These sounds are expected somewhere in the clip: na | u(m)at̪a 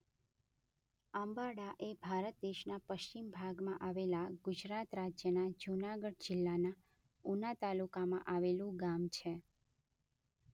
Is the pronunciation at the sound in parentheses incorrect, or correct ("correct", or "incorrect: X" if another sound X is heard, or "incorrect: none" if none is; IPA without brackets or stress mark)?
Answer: incorrect: n